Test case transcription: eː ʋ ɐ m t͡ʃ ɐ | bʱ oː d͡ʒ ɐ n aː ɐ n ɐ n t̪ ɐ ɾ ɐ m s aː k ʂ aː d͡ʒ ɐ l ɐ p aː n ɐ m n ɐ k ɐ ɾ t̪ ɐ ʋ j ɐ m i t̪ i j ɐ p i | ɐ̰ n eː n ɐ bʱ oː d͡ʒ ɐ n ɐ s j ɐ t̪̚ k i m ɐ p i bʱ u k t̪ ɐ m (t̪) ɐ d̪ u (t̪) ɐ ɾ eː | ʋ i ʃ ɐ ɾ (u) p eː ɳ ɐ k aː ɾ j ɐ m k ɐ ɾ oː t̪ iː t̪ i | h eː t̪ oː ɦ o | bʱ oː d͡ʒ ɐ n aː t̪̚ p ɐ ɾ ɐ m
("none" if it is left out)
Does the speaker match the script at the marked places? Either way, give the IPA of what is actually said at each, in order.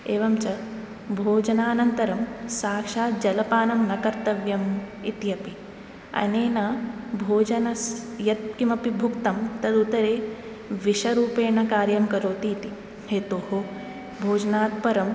t̪, t̪, uː

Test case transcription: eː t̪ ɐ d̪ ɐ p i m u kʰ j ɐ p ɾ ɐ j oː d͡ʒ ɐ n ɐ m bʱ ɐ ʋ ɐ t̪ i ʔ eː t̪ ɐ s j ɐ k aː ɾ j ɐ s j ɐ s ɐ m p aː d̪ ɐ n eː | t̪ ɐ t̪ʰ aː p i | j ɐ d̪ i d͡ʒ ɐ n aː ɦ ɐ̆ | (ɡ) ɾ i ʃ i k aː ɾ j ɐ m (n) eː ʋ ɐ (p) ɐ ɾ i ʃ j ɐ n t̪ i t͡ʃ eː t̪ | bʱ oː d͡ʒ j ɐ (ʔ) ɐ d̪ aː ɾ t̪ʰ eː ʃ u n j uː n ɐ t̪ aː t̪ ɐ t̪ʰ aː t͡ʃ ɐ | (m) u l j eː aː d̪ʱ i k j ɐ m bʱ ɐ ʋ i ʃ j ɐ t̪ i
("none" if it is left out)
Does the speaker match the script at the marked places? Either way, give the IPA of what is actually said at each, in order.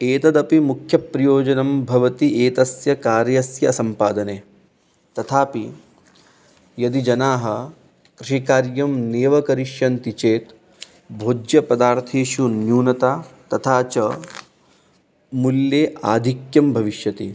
k, n, k, p, m

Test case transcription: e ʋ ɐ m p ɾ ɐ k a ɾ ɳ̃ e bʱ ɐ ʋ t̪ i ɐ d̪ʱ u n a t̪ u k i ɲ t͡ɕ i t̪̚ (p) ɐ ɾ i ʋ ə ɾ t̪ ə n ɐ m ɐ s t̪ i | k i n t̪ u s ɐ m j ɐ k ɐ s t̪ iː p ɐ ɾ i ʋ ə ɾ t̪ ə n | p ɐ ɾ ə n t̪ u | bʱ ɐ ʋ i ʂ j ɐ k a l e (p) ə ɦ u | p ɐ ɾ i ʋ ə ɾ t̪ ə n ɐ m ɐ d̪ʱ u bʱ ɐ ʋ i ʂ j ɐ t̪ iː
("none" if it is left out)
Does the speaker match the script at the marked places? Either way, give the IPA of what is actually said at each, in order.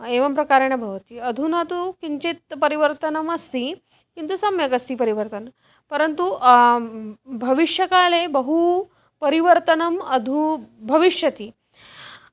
p, b

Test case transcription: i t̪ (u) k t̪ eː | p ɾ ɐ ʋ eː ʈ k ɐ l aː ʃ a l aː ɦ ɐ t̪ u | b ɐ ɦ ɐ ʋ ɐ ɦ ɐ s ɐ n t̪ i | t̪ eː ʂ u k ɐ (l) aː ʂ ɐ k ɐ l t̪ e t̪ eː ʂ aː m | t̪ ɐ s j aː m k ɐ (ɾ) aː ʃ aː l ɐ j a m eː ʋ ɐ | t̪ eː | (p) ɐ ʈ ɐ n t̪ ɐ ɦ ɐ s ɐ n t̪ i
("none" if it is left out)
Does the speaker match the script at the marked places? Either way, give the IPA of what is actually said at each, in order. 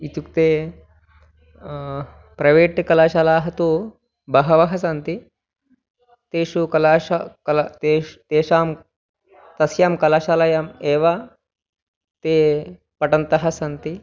u, l, l, p

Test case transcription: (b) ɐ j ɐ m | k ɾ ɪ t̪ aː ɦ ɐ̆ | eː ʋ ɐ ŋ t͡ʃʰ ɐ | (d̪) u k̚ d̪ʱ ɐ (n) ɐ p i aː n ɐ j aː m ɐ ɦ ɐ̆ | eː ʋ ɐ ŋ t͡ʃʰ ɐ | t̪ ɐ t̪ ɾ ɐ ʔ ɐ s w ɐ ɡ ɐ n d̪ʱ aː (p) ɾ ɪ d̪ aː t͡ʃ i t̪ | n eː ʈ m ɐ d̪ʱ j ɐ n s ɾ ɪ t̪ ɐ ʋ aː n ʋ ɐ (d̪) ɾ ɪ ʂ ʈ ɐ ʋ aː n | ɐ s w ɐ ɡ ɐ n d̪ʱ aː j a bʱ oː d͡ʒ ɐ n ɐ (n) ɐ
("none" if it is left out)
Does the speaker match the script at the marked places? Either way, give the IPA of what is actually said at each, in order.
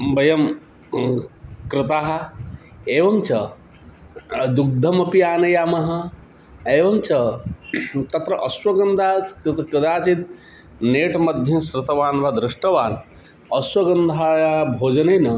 b, d̪, m, k, d̪, n

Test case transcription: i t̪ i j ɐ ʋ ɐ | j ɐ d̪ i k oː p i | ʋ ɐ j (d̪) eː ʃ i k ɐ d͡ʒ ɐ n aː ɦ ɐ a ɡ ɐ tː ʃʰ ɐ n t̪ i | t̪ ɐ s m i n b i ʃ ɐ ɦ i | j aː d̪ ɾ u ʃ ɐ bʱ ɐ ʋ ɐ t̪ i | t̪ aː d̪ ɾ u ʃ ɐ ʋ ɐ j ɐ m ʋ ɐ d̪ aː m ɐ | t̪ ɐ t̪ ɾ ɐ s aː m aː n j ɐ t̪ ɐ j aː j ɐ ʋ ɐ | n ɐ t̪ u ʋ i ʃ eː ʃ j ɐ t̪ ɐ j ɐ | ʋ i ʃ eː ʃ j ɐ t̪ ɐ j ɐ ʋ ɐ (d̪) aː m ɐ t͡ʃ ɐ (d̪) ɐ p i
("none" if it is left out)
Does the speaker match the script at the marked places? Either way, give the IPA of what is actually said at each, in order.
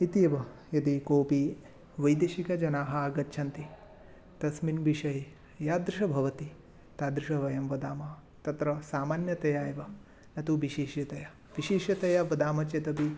d̪, d̪, t̪

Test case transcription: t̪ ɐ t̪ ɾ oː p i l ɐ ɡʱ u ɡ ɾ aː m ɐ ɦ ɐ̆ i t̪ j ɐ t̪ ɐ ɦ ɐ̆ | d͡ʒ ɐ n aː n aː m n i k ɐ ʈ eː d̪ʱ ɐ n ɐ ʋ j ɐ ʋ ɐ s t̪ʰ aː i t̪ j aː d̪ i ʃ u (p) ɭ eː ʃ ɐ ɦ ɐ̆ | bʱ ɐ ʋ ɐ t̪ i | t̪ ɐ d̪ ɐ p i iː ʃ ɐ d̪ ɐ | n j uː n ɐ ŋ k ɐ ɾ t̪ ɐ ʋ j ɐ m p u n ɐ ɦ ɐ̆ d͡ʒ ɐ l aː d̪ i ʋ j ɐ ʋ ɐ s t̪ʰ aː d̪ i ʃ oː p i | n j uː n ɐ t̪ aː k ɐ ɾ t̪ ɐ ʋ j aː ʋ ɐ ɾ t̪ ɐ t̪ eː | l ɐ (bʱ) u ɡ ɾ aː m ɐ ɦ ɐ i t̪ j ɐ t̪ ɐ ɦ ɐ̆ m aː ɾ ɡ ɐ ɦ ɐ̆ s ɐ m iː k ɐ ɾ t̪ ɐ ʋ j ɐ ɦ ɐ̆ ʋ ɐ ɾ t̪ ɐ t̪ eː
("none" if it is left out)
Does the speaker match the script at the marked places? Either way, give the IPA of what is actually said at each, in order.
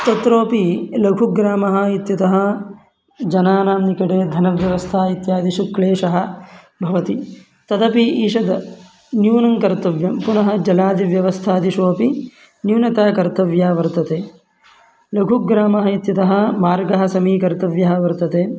k, ɡʱ

